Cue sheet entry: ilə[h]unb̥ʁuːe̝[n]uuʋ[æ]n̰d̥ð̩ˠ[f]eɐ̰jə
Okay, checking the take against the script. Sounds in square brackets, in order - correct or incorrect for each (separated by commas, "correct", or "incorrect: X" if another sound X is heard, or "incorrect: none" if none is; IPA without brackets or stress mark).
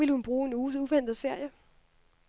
correct, correct, incorrect: e, correct